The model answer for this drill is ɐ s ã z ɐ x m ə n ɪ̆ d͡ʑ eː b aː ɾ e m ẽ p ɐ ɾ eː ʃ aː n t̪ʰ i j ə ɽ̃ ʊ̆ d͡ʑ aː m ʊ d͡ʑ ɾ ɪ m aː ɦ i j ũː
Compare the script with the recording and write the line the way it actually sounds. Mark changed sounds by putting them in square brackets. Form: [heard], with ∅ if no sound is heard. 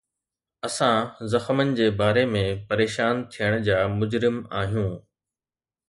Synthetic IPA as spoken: ɐ s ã z ɐ x m ə n ɪ̆ d͡ʑ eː b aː ɾ e m ẽ p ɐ ɾ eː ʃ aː n t̪ʰ i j ə ɽ̃ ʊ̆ d͡ʑ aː m ʊ d͡ʑ ɾ ɪ m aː ɦ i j ũː